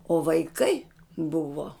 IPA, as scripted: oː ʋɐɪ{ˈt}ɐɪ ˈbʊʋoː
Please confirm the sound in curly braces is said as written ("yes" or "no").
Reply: no